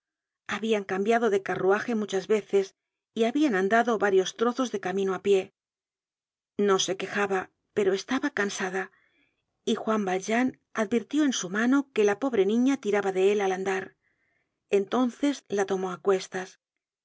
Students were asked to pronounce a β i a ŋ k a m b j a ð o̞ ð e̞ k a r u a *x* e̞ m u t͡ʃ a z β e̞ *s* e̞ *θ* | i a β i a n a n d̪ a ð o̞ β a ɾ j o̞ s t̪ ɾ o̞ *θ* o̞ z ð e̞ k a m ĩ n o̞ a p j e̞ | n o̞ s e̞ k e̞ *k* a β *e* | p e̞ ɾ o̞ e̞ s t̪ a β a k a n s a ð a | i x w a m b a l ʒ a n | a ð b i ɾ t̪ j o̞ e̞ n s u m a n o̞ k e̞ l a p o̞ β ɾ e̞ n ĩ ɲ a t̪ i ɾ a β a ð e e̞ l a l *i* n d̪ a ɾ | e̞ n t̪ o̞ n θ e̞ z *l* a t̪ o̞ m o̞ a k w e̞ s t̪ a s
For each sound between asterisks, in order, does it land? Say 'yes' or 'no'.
yes, no, no, yes, no, no, no, yes

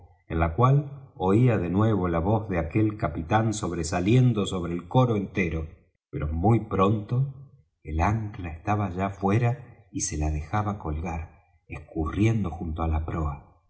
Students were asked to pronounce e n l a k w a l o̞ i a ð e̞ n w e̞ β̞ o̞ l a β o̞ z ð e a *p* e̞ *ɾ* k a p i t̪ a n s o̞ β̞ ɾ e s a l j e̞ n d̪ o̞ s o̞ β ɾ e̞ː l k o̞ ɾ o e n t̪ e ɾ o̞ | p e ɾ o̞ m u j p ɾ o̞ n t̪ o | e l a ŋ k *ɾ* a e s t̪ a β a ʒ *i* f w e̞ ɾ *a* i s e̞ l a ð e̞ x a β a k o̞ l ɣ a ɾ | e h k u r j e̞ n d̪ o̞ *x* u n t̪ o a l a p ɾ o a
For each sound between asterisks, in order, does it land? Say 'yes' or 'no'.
no, no, no, no, yes, yes

